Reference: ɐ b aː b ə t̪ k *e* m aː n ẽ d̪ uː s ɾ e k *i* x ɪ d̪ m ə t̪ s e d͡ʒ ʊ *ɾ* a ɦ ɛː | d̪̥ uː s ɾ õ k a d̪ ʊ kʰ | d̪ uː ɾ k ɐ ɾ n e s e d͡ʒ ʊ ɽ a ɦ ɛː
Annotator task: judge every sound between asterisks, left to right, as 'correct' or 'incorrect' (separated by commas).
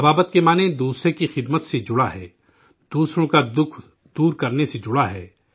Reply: correct, correct, incorrect